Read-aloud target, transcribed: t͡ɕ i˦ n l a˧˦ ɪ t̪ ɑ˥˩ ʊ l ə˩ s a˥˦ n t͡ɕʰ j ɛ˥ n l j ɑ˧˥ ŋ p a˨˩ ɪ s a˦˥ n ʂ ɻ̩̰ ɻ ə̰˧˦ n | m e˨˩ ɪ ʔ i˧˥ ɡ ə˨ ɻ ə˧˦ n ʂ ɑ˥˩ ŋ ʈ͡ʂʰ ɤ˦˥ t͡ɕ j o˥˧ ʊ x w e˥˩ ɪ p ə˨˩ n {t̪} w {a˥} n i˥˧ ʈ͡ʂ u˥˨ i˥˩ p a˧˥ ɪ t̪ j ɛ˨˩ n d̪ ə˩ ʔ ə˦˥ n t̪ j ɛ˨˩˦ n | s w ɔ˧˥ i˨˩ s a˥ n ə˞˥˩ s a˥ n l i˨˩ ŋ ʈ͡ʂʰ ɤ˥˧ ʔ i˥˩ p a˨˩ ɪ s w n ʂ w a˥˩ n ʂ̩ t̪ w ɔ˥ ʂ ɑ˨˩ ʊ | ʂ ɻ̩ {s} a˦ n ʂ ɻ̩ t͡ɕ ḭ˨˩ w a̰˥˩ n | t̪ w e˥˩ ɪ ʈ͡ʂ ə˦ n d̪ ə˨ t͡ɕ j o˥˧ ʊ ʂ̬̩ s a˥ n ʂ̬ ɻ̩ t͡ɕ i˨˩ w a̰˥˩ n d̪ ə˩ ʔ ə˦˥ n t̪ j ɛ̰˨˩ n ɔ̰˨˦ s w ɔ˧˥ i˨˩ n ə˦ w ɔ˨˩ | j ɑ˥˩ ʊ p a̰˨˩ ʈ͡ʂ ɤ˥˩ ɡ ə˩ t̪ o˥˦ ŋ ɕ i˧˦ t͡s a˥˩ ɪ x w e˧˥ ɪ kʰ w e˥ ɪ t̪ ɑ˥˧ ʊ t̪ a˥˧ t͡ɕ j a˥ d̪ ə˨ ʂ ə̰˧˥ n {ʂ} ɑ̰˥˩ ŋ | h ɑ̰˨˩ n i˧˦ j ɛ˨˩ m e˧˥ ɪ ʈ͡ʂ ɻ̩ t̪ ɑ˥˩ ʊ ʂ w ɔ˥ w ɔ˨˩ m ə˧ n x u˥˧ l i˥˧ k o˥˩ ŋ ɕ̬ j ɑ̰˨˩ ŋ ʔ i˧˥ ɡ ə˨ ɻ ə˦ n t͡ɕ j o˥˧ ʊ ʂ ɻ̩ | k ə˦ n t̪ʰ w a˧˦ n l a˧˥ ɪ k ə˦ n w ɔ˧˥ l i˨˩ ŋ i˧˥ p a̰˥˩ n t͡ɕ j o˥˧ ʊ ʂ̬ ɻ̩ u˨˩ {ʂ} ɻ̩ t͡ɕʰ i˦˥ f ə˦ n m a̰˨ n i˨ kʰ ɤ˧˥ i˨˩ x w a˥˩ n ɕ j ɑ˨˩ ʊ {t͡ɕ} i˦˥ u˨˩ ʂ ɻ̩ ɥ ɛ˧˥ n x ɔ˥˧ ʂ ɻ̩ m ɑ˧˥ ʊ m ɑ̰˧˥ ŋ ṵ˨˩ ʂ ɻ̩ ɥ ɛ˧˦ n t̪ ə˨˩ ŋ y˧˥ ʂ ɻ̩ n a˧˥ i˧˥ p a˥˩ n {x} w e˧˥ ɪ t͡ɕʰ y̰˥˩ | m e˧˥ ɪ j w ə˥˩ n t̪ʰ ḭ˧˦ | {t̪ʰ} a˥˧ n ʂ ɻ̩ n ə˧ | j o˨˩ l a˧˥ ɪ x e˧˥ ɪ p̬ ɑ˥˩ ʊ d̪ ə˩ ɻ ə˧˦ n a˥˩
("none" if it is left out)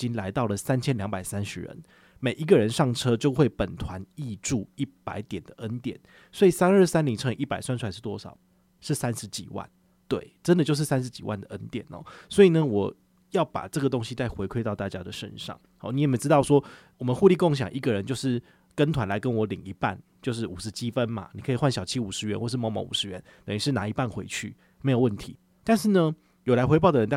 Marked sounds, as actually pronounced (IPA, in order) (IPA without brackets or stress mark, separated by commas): t̪ʰ, a˧˦, s, ʂ, ʂ, t͡ɕʰ, x, t̪